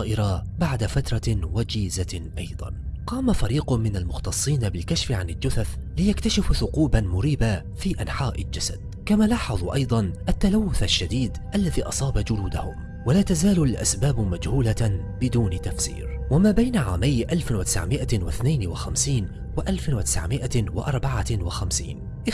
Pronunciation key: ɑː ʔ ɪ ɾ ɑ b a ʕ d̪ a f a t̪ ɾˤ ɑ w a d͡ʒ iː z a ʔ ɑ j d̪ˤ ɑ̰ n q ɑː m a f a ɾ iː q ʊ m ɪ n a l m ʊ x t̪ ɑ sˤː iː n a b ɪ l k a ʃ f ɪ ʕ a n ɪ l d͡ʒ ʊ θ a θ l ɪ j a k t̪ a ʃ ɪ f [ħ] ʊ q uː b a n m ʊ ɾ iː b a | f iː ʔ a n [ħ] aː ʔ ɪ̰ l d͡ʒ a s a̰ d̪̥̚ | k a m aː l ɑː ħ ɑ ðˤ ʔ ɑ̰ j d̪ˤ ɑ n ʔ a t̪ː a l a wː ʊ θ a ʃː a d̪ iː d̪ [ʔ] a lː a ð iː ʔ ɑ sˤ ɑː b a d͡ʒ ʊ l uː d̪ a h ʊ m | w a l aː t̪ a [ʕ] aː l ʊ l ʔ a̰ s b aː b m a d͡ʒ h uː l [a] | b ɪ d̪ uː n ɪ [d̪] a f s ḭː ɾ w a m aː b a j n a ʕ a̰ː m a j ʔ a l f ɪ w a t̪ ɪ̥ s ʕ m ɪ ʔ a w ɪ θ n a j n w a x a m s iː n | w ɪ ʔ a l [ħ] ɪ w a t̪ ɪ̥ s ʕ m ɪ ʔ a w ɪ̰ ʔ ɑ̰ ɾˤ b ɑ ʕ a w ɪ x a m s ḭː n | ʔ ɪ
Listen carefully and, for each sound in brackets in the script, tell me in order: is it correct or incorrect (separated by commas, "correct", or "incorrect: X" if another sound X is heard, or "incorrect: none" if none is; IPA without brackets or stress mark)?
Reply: incorrect: θ, correct, correct, incorrect: z, correct, incorrect: t̪, incorrect: f